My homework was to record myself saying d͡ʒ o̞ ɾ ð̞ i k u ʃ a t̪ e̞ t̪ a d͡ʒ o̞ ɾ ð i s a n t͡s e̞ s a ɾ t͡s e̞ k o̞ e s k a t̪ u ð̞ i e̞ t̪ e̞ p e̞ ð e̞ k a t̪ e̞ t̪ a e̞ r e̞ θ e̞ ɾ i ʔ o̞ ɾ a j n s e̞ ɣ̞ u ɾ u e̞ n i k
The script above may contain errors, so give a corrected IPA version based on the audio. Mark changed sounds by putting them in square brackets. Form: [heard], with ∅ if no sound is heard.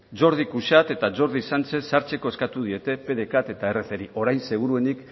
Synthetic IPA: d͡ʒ o̞ ɾ ð̞ i k u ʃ a t̪ e̞ t̪ a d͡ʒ o̞ ɾ ð i s a n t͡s e̞ s a ɾ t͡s e̞ k o̞ e s k a t̪ u ð̞ i e̞ t̪ e̞ p e̞ ð e̞ k a t̪ e̞ t̪ a e̞ r e̞ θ e̞ ɾ i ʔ o̞ ɾ a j n s e̞ ɣ̞ u ɾ u e̞ n i k

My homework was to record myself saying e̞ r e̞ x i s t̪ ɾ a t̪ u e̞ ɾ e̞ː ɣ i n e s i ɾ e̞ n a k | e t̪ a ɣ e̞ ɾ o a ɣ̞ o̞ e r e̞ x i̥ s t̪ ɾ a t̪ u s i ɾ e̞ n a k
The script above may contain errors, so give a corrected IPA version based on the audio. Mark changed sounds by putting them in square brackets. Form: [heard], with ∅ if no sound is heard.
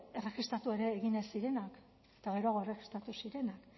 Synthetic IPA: e̞ r e̞ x i s t̪ ɾ a t̪ u e̞ ɾ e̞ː ɣ i n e s i ɾ e̞ n a k | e t̪ a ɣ e̞ ɾ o a ɣ̞ o̞ e r e̞ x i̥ s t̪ ɾ a t̪ u s i ɾ e̞ n a k

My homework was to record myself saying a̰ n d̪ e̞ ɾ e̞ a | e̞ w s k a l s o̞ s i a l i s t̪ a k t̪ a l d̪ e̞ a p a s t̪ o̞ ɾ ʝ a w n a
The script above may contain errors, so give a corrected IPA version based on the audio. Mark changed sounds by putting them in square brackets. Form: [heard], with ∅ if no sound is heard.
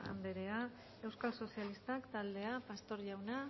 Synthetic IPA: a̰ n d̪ e̞ ɾ e̞ a | e̞ w s k a l s o̞ s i a l i s t̪ a k t̪ a l d̪ e̞ a p a s t̪ o̞ ɾ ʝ a w n a

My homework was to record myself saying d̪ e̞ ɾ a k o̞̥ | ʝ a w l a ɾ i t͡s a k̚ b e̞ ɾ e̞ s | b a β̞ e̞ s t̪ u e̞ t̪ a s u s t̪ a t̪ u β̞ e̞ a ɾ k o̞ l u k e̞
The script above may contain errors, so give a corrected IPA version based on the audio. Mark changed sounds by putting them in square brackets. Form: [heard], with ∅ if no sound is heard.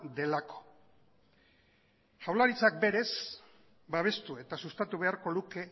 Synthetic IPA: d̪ e̞ [l] a k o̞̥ | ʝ a w l a ɾ i t͡s a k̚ b e̞ ɾ e̞ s | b a β̞ e̞ s t̪ u e̞ t̪ a s u s t̪ a t̪ u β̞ e̞ a ɾ k o̞ l u k e̞

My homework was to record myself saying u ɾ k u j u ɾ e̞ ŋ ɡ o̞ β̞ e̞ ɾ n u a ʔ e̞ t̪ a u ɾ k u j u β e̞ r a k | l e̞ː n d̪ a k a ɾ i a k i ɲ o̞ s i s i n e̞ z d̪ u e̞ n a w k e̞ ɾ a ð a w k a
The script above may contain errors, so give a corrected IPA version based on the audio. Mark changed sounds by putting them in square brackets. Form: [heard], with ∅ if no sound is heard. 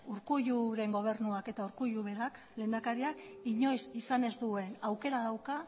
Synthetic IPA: u ɾ k u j u ɾ e̞ ŋ ɡ o̞ β̞ e̞ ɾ n u a [k] e̞ t̪ a u ɾ k u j u β e̞ [ɾ] a k | l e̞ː n d̪ a k a ɾ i a k i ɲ o̞ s i s [a] n e̞ z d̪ u e̞ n a w k e̞ ɾ a ð a w k a

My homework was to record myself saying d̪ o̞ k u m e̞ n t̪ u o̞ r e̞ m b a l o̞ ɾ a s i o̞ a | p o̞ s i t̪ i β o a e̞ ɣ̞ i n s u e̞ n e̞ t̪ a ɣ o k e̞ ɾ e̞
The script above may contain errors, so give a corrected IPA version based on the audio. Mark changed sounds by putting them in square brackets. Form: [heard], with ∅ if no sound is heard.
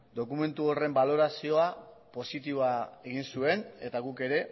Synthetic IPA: d̪ o̞ k u m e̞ n t̪ u o̞ r e̞ m b a l o̞ ɾ a s i o̞ a | p o̞ s i t̪ i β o a e̞ ɣ̞ i n s u e̞ n e̞ t̪ a ɣ [u] k e̞ ɾ e̞

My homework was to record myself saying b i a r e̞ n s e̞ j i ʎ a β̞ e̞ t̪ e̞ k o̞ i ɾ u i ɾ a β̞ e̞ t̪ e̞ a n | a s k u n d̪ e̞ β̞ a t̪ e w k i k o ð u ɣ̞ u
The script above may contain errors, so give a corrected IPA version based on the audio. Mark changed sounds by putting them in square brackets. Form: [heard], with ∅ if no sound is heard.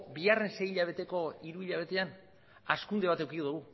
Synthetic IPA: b i a r e̞ n s e̞ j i ʎ a β̞ e̞ t̪ e̞ k o̞ i ɾ u i [ʎ] a β̞ e̞ t̪ e̞ a n | a s k u n d̪ e̞ β̞ a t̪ e w k i k o ð u ɣ̞ u

